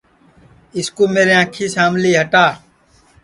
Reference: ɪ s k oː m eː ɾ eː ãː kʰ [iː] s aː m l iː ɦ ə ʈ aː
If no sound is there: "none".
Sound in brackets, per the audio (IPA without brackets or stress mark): iː